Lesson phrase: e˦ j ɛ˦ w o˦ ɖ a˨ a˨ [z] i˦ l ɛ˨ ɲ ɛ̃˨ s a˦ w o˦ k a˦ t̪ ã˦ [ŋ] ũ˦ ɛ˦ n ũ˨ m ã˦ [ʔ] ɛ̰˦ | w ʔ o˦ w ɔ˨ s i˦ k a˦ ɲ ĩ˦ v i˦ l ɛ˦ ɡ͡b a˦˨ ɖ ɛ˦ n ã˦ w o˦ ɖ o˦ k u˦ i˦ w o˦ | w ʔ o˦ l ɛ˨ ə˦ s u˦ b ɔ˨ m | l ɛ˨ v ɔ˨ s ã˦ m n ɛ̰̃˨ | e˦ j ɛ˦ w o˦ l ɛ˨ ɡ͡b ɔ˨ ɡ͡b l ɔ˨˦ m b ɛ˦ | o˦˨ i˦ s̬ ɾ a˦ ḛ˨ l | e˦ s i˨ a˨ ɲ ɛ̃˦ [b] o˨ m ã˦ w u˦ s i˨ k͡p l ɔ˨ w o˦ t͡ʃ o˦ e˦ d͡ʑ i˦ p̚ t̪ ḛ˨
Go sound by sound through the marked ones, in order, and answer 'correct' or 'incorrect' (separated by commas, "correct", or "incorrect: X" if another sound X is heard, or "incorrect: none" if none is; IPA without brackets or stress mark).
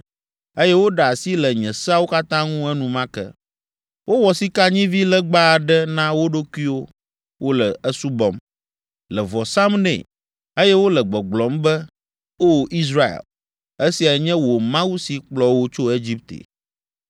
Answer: incorrect: s, correct, incorrect: k, incorrect: w